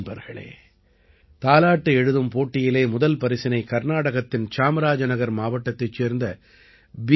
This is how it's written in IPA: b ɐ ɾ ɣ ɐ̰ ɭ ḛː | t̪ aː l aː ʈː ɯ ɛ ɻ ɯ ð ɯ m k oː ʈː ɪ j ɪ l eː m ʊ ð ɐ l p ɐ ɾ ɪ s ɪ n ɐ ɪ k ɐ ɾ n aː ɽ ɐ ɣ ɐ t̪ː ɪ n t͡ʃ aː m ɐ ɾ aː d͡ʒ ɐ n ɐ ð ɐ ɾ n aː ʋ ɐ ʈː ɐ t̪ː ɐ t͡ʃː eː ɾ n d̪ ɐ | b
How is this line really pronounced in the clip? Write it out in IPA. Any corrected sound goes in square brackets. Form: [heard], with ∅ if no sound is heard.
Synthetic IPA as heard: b ɐ ɾ ɣ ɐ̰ ɭ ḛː | t̪ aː l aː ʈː ɯ ɛ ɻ ɯ ð ɯ m [p] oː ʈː ɪ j ɪ l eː m ʊ ð ɐ l p ɐ ɾ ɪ s ɪ n ɐ ɪ k ɐ ɾ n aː ɽ ɐ ɣ ɐ t̪ː ɪ n t͡ʃ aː m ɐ ɾ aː d͡ʒ ɐ n ɐ [ɣ] ɐ ɾ [m] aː ʋ ɐ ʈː ɐ t̪ː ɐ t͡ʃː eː ɾ n d̪ ɐ | b